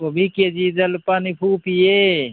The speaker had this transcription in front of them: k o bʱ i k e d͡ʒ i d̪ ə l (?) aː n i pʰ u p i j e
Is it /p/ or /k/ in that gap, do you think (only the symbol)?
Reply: p